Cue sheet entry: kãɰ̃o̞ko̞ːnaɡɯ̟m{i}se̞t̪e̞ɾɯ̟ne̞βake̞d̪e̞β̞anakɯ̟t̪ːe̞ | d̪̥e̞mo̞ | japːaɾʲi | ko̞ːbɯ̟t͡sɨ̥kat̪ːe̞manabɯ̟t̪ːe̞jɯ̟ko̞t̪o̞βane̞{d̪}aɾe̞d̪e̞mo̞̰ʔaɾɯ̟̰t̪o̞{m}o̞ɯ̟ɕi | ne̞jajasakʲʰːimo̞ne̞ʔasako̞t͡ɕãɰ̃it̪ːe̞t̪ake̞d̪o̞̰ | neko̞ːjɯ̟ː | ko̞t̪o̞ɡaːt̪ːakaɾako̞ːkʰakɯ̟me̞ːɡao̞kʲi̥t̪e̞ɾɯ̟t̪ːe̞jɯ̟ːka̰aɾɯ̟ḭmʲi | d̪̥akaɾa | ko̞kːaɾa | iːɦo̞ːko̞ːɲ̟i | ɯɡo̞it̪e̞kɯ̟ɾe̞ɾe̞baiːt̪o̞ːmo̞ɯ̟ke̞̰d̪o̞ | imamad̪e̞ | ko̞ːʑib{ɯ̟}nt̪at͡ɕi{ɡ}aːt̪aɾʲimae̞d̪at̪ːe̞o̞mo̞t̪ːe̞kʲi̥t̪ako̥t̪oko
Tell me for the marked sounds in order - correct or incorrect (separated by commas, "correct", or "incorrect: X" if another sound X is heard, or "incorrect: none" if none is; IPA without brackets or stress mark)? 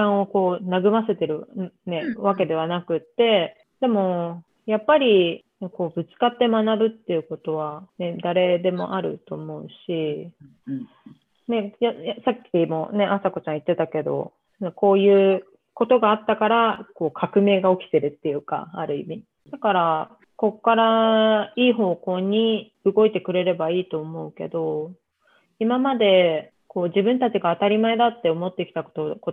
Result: incorrect: a, correct, correct, incorrect: ɯ̟̃, correct